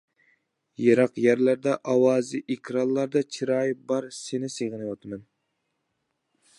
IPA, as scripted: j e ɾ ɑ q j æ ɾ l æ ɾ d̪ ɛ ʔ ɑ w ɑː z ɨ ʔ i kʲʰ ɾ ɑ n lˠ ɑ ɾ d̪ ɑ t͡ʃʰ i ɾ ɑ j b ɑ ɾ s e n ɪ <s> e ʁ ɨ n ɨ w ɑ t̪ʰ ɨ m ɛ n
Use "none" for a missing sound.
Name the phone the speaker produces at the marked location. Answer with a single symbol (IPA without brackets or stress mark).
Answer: s